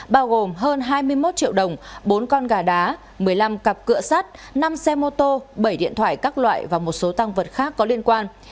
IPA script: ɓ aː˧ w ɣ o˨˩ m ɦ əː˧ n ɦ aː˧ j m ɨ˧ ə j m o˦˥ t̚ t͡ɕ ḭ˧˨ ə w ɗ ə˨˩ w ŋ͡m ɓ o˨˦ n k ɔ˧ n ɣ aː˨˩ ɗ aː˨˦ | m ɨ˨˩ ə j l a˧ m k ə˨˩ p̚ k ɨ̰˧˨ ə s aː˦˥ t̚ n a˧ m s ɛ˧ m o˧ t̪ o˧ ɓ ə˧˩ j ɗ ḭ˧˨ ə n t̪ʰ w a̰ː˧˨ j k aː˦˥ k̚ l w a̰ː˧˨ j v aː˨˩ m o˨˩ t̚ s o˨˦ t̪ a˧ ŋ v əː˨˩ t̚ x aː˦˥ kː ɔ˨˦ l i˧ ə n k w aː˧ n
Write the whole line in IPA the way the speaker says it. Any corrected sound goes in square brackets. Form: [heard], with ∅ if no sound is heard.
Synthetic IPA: ɓ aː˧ w ɣ o˨˩ m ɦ əː˧ n ɦ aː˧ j m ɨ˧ ə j m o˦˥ t̚ t͡ɕ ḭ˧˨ ə w ɗ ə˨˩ w ŋ͡m ɓ o˨˦ n k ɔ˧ n ɣ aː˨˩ ɗ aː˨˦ | m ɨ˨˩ ə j l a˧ m k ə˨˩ p̚ k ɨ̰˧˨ ə s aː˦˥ t̚ n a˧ m s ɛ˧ m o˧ t̪ o˧ ɓ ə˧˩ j ɗ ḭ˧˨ ə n t̪ʰ w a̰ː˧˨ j k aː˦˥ k̚ l w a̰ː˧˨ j v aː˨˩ m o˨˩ t̚ s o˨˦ t̪ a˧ ŋ v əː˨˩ t̚ x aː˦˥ kː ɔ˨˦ l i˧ ə n k w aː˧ n